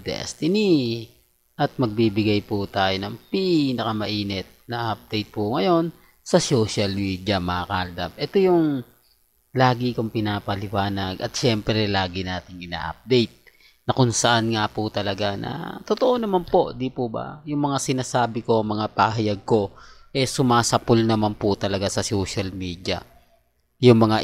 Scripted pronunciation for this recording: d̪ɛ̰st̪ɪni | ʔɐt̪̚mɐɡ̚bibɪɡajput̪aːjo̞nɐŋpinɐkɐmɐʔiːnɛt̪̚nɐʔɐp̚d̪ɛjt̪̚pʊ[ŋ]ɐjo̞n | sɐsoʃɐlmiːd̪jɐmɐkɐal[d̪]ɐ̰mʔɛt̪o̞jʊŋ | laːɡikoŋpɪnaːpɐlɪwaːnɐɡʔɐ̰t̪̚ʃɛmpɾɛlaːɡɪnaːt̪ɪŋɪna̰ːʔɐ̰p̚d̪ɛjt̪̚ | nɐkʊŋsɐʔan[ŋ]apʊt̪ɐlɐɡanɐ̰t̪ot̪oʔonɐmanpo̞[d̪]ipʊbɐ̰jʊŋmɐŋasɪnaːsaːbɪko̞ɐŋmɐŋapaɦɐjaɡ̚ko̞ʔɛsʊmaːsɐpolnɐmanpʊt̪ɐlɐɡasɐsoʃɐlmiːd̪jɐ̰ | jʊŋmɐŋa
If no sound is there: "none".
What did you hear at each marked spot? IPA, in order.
ŋ, d̪, ŋ, d̪

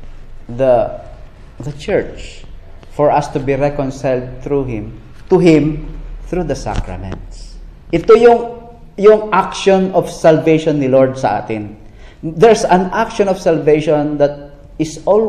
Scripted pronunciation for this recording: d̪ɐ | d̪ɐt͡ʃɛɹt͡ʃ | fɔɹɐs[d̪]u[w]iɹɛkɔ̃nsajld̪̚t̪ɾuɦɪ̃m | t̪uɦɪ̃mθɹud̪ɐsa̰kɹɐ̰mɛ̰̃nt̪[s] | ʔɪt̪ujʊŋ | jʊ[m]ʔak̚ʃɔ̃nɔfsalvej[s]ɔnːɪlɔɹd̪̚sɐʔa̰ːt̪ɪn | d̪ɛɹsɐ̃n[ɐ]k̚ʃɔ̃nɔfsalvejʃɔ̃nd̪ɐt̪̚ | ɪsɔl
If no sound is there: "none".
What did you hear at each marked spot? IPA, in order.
t̪, b, s, ŋ, ʃ, a

